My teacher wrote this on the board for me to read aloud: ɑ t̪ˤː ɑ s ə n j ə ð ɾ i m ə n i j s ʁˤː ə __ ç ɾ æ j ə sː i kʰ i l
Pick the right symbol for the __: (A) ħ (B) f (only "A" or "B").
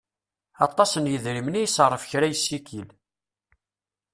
B